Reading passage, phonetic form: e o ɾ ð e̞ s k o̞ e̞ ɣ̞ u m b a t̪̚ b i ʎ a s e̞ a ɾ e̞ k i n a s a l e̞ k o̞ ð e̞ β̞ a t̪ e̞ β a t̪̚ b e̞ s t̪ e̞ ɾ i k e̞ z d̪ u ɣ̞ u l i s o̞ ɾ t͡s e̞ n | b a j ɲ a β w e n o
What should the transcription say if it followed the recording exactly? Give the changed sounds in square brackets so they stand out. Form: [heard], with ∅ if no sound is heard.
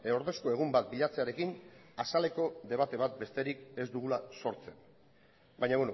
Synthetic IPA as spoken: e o ɾ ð e̞ s k o̞ e̞ ɣ̞ u m b a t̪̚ b i ʎ a [t͡s] e̞ a ɾ e̞ k i n a s a l e̞ k o̞ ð e̞ β̞ a t̪ e̞ β a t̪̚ b e̞ s t̪ e̞ ɾ i k e̞ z d̪ u ɣ̞ u l [a] s o̞ ɾ t͡s e̞ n | b a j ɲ a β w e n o